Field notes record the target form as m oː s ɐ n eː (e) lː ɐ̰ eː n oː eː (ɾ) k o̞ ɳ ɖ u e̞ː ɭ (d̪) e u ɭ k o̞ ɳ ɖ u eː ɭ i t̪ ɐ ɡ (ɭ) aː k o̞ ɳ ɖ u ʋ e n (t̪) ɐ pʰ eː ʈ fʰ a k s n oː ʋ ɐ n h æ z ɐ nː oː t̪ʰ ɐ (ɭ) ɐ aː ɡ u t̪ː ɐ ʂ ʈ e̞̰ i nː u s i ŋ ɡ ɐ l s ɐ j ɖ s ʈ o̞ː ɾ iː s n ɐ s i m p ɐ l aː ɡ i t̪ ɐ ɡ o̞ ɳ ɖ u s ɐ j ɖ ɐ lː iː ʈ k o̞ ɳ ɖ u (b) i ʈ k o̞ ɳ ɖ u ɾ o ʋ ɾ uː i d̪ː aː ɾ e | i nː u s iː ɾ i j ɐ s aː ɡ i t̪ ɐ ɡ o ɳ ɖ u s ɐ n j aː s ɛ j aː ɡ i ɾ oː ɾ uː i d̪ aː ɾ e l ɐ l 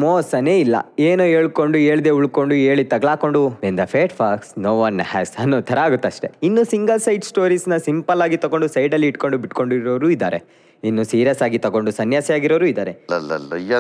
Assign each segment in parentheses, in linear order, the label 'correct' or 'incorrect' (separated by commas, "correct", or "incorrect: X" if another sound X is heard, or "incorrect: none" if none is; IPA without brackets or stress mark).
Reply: incorrect: i, incorrect: ɭ, correct, correct, incorrect: d̪, incorrect: ɾ, correct